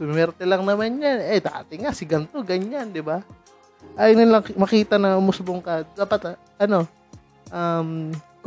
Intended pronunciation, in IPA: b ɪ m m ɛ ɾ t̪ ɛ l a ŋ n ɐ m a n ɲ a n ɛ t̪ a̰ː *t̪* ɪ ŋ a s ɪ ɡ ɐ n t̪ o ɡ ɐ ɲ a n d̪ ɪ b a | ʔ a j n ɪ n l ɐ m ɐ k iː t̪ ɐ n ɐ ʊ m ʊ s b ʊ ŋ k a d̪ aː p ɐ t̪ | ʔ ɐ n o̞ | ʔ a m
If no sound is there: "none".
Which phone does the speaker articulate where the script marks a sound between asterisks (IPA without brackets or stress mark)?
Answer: t̪